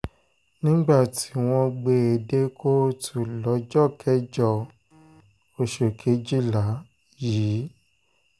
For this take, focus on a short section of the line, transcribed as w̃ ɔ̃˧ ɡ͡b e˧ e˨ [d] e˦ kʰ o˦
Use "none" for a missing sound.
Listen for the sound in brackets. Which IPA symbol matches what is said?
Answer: d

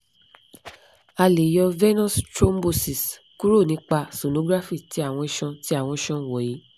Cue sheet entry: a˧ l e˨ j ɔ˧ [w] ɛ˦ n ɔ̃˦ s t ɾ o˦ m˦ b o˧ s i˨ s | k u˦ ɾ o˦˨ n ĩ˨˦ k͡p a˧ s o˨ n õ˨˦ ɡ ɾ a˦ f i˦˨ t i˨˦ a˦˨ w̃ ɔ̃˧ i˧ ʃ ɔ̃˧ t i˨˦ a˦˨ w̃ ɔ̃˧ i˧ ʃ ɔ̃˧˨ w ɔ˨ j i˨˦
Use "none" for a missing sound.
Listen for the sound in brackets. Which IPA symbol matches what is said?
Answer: v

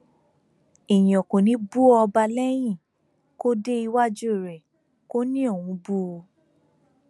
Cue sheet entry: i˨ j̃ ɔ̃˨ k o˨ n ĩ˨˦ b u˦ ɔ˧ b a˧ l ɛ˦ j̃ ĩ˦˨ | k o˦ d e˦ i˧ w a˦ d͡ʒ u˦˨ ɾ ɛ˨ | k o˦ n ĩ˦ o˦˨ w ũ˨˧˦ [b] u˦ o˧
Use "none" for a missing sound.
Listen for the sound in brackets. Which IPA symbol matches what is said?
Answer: b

